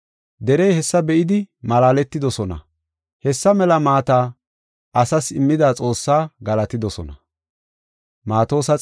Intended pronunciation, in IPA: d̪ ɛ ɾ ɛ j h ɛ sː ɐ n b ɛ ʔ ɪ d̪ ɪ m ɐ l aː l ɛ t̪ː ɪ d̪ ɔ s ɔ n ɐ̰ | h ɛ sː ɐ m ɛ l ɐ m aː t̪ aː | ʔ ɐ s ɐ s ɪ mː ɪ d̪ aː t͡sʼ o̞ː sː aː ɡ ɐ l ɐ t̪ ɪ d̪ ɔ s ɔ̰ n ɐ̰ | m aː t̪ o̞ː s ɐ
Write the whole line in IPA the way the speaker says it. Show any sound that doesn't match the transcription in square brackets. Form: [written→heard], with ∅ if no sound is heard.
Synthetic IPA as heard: d̪ ɛ ɾ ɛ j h ɛ sː ɐ [n→∅] b ɛ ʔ ɪ d̪ ɪ m ɐ l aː l ɛ t̪ː ɪ d̪ ɔ s ɔ n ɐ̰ | h ɛ sː ɐ m ɛ l ɐ m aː t̪ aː | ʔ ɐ s ɐ s ɪ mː ɪ d̪ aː t͡sʼ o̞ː sː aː ɡ ɐ l ɐ t̪ ɪ d̪ ɔ s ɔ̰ n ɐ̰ | m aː t̪ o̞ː s ɐ